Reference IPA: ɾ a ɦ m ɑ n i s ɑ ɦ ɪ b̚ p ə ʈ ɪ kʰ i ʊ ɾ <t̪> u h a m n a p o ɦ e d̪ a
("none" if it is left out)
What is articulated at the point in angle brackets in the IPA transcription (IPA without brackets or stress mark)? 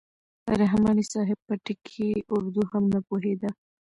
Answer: d̪